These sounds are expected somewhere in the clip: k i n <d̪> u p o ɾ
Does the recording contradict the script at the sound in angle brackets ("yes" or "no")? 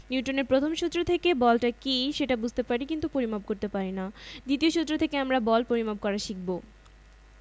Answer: yes